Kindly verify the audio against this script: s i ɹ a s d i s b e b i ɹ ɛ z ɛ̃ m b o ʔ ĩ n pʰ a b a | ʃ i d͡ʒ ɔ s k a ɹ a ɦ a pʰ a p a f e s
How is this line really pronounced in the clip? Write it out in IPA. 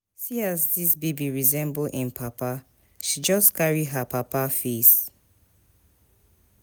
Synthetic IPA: s i a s d i s b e b i ɹ i z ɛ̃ m b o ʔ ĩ n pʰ a p a | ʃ i d͡ʒ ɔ s k a ɹ i ɦ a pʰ a p a f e s